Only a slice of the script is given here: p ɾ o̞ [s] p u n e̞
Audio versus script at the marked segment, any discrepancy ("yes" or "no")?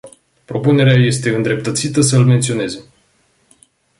yes